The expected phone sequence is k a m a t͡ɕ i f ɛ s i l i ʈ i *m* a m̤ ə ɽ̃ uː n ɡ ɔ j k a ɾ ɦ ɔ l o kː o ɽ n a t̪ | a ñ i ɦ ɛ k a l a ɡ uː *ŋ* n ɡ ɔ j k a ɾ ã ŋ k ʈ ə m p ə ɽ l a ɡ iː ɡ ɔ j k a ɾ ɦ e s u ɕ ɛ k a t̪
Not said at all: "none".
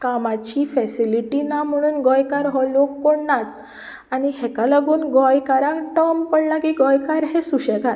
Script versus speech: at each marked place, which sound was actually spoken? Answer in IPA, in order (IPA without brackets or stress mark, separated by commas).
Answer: n, none